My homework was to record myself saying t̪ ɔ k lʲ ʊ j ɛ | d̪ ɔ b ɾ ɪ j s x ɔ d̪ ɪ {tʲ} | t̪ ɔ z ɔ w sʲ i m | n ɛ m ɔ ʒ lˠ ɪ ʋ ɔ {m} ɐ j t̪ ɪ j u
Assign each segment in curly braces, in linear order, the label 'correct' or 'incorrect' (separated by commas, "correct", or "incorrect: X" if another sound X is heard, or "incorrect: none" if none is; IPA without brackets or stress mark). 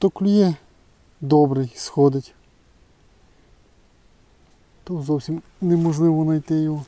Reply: correct, incorrect: n